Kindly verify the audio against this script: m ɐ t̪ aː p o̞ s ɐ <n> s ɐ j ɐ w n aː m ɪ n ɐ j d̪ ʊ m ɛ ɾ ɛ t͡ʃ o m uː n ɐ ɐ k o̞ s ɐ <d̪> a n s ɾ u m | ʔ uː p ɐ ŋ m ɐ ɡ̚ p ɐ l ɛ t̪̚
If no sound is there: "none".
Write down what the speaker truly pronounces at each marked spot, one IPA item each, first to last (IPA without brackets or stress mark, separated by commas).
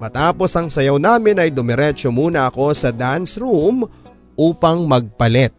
ŋ, d̪